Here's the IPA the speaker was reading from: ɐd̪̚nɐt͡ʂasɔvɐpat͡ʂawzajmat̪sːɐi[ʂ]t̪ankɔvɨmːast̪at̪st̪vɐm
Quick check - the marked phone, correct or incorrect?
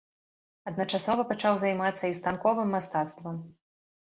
incorrect